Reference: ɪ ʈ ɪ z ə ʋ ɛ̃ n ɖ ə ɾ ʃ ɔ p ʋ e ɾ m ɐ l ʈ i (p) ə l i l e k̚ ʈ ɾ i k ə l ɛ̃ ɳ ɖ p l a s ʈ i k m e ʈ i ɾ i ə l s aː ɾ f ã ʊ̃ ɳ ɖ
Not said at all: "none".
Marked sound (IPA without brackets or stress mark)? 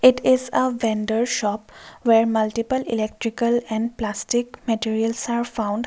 p